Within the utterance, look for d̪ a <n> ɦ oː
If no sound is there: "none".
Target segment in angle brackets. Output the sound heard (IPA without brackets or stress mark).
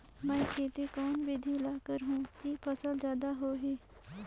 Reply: none